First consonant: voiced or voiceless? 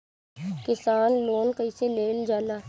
voiceless